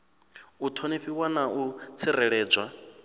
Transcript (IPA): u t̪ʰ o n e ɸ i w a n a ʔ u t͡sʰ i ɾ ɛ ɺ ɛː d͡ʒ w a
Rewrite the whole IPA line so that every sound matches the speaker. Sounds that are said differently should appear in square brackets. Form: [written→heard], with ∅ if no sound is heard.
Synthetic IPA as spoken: u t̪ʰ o n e ɸ i w a n a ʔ u t͡sʰ i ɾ ɛ ɺ ɛː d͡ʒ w a